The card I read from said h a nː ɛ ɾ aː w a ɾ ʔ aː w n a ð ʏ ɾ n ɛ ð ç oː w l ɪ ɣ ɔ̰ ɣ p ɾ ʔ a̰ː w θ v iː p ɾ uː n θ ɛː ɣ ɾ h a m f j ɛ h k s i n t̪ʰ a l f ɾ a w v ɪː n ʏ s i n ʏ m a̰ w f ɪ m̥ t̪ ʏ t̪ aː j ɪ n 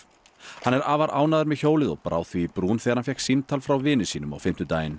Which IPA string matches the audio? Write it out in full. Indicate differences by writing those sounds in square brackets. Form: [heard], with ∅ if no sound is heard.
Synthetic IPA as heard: h a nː ɛ ɾ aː [v] a ɾ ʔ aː w n a ð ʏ ɾ [m] ɛ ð ç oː w l ɪ [ð] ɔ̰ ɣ p ɾ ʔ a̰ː w θ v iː p ɾ uː n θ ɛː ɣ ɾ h a [n] f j ɛ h k s i n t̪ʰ a l f ɾ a w v ɪː n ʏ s [iː] n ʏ m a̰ w f ɪ m̥ t̪ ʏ t̪ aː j ɪ n